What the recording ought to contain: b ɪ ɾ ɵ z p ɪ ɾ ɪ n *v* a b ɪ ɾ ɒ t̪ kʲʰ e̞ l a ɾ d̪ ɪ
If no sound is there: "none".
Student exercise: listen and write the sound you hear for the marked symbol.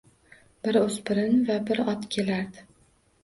v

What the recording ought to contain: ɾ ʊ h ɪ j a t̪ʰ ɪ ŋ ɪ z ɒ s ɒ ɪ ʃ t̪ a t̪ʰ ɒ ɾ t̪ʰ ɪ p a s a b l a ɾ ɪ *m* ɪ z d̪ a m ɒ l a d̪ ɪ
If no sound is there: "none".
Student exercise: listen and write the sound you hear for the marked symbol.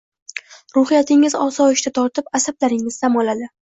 ŋ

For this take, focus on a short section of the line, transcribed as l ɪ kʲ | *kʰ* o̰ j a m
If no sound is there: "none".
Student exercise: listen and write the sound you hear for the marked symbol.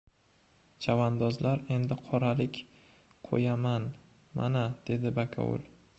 qʰ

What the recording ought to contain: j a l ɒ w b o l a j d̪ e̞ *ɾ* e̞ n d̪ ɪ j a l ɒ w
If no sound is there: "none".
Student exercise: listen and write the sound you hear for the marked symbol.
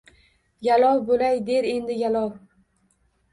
ɾ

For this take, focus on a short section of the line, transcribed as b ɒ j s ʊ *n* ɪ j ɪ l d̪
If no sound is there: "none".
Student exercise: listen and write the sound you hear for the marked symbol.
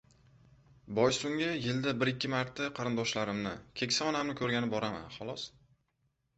ŋ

